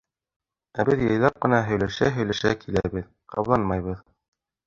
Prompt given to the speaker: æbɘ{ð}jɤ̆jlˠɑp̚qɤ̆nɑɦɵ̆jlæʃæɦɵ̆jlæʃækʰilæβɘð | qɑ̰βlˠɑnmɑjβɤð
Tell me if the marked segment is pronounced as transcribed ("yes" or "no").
yes